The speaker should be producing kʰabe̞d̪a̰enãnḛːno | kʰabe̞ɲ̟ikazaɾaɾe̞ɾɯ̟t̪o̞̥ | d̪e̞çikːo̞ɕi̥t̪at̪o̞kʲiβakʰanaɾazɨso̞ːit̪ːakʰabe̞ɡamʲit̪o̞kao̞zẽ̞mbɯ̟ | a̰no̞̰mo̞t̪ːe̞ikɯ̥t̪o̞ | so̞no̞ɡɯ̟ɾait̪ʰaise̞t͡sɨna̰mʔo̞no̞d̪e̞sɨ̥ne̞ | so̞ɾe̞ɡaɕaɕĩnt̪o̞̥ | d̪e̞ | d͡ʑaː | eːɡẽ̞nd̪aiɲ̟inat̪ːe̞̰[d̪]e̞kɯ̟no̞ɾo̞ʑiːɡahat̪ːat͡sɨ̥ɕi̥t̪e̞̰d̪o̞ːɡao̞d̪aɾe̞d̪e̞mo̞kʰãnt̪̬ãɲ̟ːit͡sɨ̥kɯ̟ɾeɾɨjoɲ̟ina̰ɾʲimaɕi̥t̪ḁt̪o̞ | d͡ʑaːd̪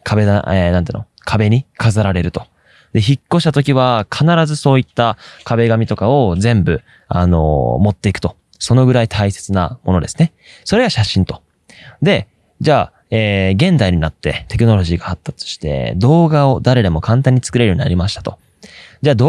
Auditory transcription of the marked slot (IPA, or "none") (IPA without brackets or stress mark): t̪